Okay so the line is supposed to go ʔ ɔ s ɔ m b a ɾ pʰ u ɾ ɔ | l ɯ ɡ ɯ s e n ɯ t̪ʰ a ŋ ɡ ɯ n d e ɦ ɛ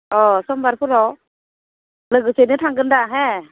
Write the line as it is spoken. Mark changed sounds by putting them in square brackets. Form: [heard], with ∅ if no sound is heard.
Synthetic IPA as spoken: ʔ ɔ s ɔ m b a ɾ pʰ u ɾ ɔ | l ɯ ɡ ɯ s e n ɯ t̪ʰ a ŋ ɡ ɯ n d [a] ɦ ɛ